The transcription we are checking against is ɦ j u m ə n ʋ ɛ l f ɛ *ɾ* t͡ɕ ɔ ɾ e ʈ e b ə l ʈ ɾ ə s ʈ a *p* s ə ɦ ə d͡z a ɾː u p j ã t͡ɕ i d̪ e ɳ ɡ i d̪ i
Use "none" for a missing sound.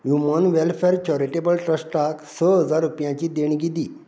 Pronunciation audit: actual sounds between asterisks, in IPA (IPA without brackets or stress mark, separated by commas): ɾ, k